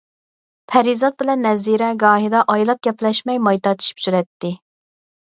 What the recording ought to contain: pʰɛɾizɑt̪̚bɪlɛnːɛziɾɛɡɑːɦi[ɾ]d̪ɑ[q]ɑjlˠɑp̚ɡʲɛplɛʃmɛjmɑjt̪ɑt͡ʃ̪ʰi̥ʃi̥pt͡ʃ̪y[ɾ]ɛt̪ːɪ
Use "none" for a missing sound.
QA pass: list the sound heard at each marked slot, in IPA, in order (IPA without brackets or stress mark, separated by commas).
none, ʔ, ɾ